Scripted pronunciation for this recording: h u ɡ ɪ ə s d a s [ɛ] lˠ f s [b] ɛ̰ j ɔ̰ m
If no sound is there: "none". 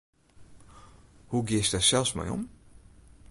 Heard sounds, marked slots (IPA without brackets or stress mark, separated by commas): ɛ, m